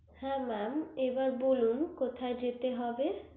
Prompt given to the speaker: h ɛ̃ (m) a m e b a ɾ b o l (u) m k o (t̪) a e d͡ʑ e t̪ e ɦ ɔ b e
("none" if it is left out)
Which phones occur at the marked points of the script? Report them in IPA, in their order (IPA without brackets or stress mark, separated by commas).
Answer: m, u, t̪ʰ